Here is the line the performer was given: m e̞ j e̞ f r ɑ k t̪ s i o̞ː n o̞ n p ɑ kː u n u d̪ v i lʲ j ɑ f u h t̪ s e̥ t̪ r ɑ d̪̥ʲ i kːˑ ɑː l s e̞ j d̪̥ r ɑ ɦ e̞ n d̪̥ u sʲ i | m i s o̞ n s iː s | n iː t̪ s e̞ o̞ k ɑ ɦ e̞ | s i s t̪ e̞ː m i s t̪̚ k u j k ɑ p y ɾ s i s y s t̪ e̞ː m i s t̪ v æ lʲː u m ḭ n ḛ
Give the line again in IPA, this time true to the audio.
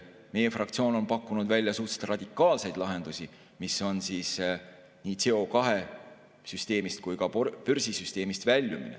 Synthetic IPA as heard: m e̞ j e̞ f r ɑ k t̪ s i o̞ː n o̞ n p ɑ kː u n u d̪ v æ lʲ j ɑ s u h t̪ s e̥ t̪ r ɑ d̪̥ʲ i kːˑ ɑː l s e̞ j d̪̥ l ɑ ɦ e̞ n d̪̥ u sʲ i | m i s o̞ n s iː s | n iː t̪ s e̞ o̞ k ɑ ɦ e̞ | s y s t̪ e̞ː m i s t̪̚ k u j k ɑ p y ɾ s i s y s t̪ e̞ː m i s t̪ v æ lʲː u m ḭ n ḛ